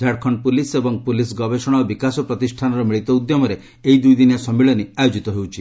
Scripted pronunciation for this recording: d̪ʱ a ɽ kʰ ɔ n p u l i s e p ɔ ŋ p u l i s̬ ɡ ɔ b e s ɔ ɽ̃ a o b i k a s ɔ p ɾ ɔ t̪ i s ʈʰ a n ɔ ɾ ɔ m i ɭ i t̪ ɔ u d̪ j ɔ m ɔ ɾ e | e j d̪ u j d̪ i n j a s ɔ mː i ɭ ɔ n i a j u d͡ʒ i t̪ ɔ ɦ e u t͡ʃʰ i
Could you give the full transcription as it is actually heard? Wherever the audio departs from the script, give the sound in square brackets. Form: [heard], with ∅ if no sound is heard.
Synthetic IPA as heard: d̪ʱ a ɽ kʰ ɔ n p u l i s e [b] ɔ ŋ p u l i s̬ ɡ ɔ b e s ɔ ɽ̃ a o b i k a s ɔ p ɾ ɔ t̪ i s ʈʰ a n ɔ ɾ ɔ m i ɭ i t̪ ɔ u d̪ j ɔ m ɔ ɾ e | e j d̪ u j d̪ i n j a s ɔ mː i ɭ ɔ n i a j [o] d͡ʒ i t̪ ɔ ɦ e [w] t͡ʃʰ i

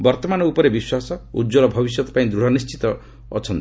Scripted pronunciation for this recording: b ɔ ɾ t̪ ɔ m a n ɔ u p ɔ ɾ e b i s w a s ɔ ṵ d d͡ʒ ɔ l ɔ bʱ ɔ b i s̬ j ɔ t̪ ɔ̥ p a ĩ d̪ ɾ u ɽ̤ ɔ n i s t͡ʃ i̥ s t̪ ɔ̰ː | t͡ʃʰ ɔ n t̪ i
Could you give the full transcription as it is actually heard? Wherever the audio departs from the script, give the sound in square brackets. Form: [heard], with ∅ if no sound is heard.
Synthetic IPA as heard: b ɔ ɾ t̪ ɔ m a n ɔ u p ɔ ɾ e b i s w a s ɔ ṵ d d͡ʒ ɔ l ɔ bʱ ɔ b i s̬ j ɔ t̪ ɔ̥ p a ĩ d̪ ɾ u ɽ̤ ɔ n i s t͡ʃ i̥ [∅] t̪ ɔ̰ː | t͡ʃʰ ɔ n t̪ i

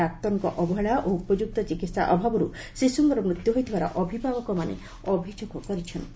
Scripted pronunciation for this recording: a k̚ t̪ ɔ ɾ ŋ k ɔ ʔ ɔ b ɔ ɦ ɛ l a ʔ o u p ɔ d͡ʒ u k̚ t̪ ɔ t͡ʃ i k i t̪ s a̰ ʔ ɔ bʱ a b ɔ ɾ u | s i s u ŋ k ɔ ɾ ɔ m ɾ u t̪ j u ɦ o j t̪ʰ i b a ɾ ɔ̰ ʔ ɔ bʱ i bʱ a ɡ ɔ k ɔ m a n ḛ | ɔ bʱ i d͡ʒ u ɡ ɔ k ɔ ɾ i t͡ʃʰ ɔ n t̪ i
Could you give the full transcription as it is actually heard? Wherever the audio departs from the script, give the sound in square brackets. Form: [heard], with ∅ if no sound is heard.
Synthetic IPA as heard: a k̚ t̪ ɔ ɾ ŋ k ɔ ʔ ɔ b ɔ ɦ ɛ [ɭ] a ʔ o u p ɔ d͡ʒ u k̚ t̪ ɔ t͡ʃ i k i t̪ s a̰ ʔ ɔ bʱ a b ɔ ɾ u | s i s u ŋ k ɔ ɾ ɔ m ɾ u t̪ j u ɦ o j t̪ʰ i b a ɾ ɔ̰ ʔ ɔ bʱ i bʱ a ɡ ɔ k ɔ m a n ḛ | ɔ bʱ i d͡ʒ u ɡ ɔ k ɔ ɾ i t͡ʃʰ ɔ n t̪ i

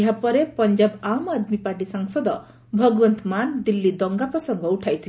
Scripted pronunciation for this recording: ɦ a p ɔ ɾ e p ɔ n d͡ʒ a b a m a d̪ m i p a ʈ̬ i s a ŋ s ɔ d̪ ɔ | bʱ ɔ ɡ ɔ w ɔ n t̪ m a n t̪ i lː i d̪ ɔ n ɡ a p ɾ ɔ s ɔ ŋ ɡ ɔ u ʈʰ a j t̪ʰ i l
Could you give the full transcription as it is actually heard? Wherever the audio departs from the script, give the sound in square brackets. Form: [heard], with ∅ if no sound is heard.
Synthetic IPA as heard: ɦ a p ɔ ɾ e p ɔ n d͡ʒ a b a m a d̪ m i p a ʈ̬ i s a ŋ s ɔ d̪ ɔ | bʱ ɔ ɡ ɔ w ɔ n t̪ m a n [d̪] i lː i d̪ ɔ [ŋ] ɡ a p ɾ ɔ s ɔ ŋ ɡ ɔ u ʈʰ a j t̪ʰ i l

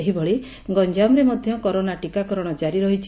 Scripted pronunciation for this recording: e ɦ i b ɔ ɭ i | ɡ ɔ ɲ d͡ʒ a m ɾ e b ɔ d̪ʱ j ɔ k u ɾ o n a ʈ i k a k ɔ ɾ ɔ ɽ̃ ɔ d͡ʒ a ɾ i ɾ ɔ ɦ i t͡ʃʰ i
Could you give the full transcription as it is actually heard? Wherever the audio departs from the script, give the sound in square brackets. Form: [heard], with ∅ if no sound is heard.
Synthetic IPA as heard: e ɦ i b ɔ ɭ i | ɡ ɔ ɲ d͡ʒ a m ɾ e [m] ɔ d̪ʱ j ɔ k [ɔ] ɾ o n a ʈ i k a k ɔ ɾ ɔ ɽ̃ ɔ d͡ʒ a ɾ i ɾ ɔ ɦ i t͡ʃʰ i

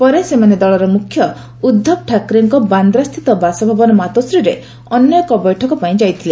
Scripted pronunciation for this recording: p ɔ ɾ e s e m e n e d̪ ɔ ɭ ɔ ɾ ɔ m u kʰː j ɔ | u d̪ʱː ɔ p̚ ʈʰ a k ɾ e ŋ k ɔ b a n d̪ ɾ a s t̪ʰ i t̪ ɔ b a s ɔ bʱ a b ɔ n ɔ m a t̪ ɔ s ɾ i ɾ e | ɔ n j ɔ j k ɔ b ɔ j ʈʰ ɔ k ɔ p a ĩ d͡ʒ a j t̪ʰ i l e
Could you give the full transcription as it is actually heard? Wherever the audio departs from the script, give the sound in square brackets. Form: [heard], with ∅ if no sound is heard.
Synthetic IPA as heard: p ɔ ɾ e s e m [a] n e d̪ ɔ ɭ ɔ ɾ ɔ m u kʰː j ɔ | u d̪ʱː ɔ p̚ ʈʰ a k ɾ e ŋ k ɔ b a n d̪ ɾ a s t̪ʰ i t̪ ɔ b a s ɔ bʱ a b ɔ n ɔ m a t̪ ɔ s ɾ i ɾ e | ɔ n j ɔ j k ɔ b ɔ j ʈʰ ɔ k ɔ p a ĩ d͡ʒ a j t̪ʰ i l e

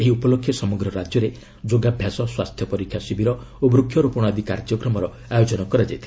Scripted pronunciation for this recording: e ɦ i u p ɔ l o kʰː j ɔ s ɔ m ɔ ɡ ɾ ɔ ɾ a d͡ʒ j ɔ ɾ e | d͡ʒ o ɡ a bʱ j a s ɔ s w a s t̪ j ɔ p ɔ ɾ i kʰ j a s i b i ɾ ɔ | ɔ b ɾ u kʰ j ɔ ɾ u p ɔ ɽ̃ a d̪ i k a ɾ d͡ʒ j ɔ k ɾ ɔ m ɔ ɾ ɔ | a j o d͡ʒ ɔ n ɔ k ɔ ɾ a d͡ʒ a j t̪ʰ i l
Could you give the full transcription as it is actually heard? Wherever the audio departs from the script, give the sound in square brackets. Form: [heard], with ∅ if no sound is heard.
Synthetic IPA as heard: e ɦ i u p ɔ l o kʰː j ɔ s ɔ m ɔ ɡ ɾ ɔ ɾ a d͡ʒ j ɔ ɾ e | d͡ʒ o ɡ a bʱ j a s ɔ s w a s [t̪ʰ] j ɔ p ɔ ɾ i kʰ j a s i b i ɾ ɔ | [o] b ɾ u kʰ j ɔ ɾ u p ɔ ɽ̃ a d̪ i k a ɾ d͡ʒ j ɔ k ɾ ɔ m ɔ ɾ ɔ | a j o d͡ʒ ɔ n ɔ k ɔ ɾ a d͡ʒ a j t̪ʰ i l

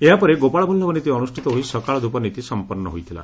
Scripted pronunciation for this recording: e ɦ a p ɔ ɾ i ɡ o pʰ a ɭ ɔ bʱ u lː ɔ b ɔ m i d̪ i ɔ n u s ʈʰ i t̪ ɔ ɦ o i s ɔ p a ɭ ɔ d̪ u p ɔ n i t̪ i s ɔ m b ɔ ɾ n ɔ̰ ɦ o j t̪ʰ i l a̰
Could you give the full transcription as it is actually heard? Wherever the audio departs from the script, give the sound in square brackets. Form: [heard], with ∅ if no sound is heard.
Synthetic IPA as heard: e ɦ a p ɔ ɾ [e] ɡ o [p] a ɭ ɔ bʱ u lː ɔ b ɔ [n] i [t̪] i ɔ n u s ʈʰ i t̪ ɔ ɦ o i s ɔ [k] a ɭ ɔ d̪ u p ɔ n i t̪ i s ɔ m [p] ɔ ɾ n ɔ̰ ɦ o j t̪ʰ i l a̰

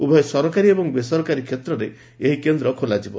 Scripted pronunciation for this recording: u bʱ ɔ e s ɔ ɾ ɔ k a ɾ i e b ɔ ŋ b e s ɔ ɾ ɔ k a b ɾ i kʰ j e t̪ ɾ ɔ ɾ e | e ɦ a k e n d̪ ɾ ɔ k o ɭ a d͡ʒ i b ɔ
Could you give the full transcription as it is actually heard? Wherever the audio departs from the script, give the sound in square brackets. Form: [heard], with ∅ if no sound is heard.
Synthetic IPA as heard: u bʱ ɔ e s ɔ ɾ ɔ k a ɾ i e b ɔ ŋ b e s ɔ ɾ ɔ k a [∅] ɾ i kʰ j e t̪ ɾ ɔ ɾ e | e ɦ [i] k e n d̪ ɾ ɔ [kʰ] o [l] a d͡ʒ i b ɔ

